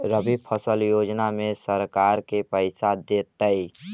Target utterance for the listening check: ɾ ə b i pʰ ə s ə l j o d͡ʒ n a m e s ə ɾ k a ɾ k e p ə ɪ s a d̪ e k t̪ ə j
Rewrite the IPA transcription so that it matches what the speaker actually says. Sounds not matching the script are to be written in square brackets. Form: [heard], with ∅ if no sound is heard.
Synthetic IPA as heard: ɾ ə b i pʰ ə s ə l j o d͡ʒ n a m e s ə ɾ k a ɾ k e p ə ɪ s a d̪ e [∅] t̪ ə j